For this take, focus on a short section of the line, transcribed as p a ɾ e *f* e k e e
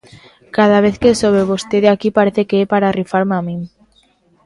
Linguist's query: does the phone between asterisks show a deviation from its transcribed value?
yes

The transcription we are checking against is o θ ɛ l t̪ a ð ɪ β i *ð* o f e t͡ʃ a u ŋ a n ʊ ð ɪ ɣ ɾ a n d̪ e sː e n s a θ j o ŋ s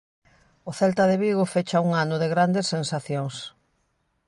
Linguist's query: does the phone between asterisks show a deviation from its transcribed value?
yes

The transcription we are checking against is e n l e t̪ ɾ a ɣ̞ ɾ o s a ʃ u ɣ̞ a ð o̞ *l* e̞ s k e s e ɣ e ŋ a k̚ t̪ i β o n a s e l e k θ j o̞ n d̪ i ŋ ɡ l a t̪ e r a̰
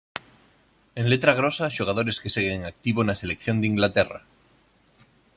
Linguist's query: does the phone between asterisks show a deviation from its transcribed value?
yes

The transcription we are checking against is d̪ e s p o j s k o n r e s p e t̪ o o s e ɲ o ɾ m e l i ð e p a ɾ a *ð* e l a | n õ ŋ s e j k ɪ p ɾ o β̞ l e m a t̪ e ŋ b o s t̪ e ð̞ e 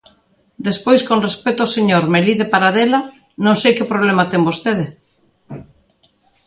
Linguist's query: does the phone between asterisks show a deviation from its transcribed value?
no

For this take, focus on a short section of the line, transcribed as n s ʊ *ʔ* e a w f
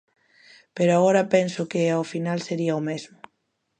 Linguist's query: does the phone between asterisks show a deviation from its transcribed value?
yes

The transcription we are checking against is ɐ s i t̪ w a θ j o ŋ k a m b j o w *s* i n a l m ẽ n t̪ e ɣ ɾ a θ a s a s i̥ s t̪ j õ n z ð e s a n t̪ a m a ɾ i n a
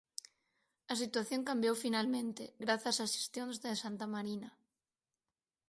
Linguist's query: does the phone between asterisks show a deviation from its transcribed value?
yes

